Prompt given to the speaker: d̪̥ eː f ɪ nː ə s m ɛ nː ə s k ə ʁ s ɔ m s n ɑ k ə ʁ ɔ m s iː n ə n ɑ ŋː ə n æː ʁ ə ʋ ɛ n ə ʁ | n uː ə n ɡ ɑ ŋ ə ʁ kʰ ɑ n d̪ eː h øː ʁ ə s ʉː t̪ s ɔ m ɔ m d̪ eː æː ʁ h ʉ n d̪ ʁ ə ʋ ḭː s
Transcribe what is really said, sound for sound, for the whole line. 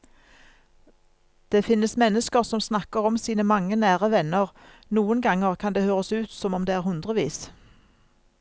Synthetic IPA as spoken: d̪̥ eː f ɪ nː ə s m ɛ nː ə s k ə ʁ s ɔ m s n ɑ k ə ʁ ɔ m s iː n ə m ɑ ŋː ə n æː ʁ ə ʋ ɛ n ə ʁ | n uː ə n ɡ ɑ ŋ ə ʁ kʰ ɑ n d̪ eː h øː ʁ ə s ʉː t̪ s ɔ m ɔ m d̪ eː æː ʁ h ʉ n d̪ ʁ ə ʋ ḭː s